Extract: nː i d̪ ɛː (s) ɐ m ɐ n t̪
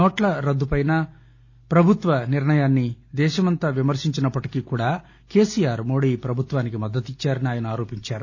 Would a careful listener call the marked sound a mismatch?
yes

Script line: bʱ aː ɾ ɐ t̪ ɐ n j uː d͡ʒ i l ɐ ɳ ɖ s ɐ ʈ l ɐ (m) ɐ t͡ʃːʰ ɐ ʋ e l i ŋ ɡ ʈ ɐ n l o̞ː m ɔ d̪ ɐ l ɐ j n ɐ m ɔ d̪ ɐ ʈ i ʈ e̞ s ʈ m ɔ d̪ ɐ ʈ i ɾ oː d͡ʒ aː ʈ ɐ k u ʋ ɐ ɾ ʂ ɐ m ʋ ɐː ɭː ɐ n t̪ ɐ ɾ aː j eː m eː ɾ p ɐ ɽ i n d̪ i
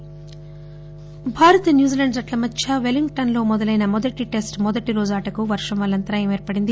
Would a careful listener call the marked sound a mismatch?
no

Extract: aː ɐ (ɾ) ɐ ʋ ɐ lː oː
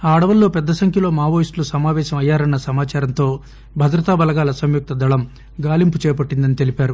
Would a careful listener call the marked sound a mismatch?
yes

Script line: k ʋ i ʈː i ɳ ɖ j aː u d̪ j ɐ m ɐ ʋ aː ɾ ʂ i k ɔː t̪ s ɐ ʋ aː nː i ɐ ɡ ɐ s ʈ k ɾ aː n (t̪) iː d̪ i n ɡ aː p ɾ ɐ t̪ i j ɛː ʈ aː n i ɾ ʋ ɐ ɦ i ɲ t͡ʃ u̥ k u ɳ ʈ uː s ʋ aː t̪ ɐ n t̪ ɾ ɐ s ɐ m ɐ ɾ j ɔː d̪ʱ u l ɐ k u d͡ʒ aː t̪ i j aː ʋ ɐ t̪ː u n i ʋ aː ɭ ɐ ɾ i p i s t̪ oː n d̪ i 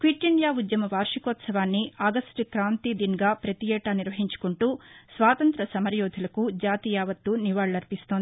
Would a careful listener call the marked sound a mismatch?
no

